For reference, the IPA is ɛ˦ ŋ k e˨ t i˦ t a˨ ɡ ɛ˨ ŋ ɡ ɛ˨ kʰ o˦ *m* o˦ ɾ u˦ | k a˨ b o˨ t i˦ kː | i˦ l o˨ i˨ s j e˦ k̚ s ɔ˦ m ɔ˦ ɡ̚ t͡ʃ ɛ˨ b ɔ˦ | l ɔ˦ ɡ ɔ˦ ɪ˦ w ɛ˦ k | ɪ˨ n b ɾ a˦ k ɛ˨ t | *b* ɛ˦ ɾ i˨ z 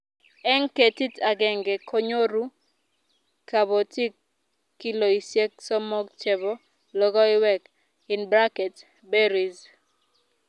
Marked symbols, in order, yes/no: no, yes

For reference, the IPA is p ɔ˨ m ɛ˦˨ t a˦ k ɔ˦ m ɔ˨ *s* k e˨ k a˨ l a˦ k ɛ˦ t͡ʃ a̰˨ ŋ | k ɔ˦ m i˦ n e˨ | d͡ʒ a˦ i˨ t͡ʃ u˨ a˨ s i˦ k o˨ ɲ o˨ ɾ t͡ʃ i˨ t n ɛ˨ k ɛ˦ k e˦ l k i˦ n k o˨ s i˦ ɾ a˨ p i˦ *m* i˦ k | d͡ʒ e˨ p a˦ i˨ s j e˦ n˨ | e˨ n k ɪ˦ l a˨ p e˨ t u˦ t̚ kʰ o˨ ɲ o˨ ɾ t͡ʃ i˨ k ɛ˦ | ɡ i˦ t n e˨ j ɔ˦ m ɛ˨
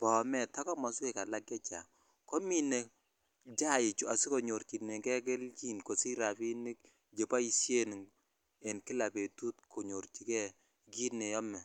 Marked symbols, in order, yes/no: yes, no

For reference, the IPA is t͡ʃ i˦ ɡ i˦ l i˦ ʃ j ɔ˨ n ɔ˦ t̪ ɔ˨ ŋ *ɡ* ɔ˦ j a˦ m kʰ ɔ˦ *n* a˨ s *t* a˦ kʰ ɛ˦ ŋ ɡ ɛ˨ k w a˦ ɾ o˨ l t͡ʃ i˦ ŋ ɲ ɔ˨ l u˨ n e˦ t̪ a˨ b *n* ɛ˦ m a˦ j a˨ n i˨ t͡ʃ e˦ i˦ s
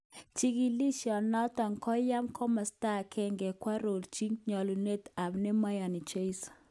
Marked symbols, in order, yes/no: no, no, yes, yes

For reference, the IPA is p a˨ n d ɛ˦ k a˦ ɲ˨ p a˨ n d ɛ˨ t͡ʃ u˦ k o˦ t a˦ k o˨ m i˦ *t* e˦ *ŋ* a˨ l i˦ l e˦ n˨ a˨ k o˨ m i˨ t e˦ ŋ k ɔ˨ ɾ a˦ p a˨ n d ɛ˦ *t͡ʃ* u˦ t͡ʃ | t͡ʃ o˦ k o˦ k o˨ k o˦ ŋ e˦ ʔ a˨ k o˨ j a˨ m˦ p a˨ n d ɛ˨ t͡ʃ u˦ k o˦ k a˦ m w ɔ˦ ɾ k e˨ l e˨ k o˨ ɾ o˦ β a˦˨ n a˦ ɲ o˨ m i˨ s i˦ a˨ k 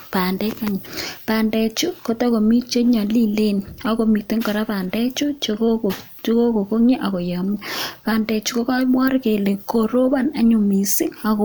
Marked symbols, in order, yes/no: no, no, yes

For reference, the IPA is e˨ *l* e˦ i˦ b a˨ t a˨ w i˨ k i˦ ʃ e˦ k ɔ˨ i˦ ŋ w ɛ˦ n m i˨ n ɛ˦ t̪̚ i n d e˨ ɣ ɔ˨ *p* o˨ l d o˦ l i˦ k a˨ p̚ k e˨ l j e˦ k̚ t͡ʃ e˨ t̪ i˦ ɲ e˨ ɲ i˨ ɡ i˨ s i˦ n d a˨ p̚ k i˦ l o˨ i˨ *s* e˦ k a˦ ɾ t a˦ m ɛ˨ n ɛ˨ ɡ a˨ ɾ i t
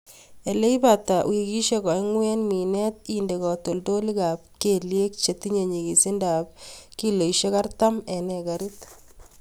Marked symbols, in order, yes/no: yes, no, no

